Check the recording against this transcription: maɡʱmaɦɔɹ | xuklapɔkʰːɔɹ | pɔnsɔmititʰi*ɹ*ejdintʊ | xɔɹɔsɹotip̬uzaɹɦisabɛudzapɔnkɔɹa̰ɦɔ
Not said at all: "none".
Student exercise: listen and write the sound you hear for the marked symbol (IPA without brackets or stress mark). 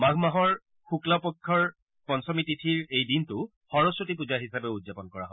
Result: ɹ